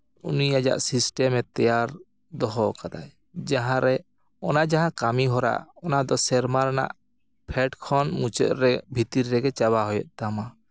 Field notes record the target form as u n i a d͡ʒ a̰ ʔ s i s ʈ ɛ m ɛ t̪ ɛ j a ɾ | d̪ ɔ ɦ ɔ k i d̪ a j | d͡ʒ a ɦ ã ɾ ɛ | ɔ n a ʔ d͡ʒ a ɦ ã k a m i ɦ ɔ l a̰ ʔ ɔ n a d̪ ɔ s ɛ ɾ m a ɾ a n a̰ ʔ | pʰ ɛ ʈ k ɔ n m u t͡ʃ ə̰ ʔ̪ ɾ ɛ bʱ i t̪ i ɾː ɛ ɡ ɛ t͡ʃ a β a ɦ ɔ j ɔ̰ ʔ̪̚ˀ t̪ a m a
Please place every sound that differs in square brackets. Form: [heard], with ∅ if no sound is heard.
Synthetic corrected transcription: u n i a d͡ʒ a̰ ʔ s i s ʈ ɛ m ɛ t̪ ɛ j a ɾ | d̪ ɔ ɦ ɔ k [a] d̪ a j | d͡ʒ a ɦ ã ɾ ɛ | ɔ n a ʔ d͡ʒ a ɦ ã k a m i ɦ ɔ [ɾ] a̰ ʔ ɔ n a d̪ ɔ s ɛ ɾ m a ɾ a n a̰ ʔ | pʰ ɛ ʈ [kʰ] ɔ n m u t͡ʃ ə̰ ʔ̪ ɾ ɛ bʱ i t̪ i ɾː ɛ ɡ ɛ t͡ʃ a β a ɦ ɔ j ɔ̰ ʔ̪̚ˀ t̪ a m a